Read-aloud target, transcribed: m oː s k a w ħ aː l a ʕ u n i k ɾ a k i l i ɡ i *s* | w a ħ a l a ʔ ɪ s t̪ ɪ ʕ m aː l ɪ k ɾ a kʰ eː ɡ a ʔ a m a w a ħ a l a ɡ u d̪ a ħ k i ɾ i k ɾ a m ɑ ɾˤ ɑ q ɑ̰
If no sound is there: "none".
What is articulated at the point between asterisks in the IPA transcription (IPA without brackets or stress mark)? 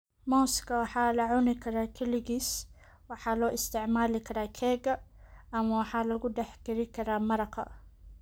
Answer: s